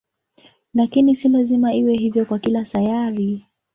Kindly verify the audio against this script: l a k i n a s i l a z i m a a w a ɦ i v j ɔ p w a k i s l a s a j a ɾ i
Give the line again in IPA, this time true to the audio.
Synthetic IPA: l a k i n i s i l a z i m a i w ɛ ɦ i v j ɔ k w a k i l a s a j a ɾ i